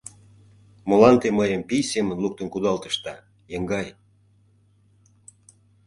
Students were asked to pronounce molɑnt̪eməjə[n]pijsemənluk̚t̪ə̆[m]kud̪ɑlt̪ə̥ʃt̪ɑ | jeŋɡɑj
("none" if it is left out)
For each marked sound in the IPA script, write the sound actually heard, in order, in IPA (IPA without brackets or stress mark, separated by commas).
m, n